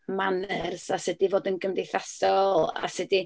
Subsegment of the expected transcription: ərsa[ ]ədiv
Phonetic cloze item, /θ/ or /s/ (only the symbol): s